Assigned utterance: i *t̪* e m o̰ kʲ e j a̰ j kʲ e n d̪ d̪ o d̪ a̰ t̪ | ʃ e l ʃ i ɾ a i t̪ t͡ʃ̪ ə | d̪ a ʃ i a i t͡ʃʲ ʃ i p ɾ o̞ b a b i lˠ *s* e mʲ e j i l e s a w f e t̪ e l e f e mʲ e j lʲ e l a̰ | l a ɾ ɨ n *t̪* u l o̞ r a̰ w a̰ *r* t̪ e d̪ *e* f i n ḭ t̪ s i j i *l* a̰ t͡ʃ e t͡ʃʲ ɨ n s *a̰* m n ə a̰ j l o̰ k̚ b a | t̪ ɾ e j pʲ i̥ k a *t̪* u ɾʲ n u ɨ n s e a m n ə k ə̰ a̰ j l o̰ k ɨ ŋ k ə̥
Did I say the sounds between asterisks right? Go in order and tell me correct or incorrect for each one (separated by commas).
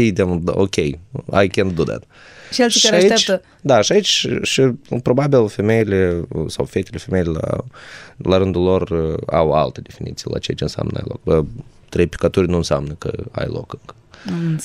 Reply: incorrect, incorrect, incorrect, incorrect, correct, correct, correct, correct